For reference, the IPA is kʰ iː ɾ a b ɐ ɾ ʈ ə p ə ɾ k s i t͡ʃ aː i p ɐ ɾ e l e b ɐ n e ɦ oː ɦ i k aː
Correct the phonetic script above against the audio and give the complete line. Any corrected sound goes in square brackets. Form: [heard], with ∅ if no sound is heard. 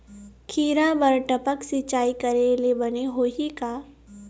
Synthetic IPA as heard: kʰ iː ɾ a b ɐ ɾ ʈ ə p ə [∅] k s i t͡ʃ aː i [k] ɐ ɾ e l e b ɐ n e ɦ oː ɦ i k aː